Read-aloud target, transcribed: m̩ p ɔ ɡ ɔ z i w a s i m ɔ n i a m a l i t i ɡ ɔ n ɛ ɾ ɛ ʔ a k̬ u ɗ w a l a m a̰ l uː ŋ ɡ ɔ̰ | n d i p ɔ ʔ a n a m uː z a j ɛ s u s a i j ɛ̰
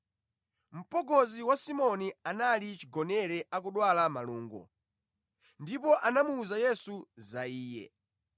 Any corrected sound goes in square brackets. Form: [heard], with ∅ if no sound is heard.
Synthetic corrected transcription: m̩ p ɔ ɡ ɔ z i w a s i m ɔ n i a [n] a l i [t͡ʃ] i ɡ ɔ n ɛ ɾ ɛ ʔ a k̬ u ɗ w a l a m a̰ l uː ŋ ɡ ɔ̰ | n d i p ɔ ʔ a n a m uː z a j ɛ s u [z] a [iː] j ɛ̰